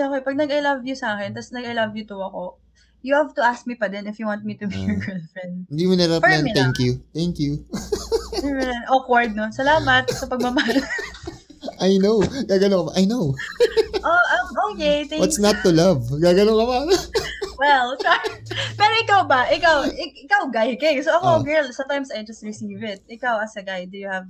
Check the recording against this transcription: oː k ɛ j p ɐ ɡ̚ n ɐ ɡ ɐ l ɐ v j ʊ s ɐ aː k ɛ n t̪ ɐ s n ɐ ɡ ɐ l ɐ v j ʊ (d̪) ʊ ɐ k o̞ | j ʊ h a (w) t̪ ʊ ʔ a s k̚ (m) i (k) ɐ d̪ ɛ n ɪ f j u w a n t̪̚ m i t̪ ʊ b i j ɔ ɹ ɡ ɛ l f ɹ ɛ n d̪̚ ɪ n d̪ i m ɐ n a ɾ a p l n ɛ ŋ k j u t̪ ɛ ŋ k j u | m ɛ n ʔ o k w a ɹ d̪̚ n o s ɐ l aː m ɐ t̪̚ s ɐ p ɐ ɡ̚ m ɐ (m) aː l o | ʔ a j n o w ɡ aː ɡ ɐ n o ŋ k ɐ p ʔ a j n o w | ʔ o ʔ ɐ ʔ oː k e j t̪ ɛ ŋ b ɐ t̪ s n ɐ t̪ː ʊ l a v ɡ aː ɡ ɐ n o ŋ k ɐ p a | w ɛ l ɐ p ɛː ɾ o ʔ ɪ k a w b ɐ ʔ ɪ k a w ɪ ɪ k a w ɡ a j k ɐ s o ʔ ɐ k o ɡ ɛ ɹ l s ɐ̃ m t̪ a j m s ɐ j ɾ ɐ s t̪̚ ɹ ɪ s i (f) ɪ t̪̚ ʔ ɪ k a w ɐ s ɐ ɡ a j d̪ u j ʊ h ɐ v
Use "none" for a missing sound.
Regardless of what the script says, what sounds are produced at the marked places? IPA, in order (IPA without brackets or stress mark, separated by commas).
t̪, v, m, p, m, v